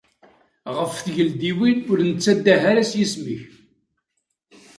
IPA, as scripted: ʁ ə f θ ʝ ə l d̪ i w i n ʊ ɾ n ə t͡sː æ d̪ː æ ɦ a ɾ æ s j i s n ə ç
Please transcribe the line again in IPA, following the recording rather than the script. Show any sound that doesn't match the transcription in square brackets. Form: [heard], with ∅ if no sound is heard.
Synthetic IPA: ʁ ə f θ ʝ ə l d̪ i w i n ʊ ɾ n ə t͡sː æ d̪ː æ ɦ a ɾ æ s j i s [m] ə ç